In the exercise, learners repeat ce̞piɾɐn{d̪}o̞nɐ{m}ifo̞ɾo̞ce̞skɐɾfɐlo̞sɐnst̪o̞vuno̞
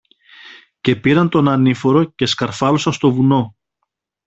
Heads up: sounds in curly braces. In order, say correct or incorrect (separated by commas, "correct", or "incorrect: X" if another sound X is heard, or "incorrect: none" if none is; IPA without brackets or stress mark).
incorrect: t̪, incorrect: n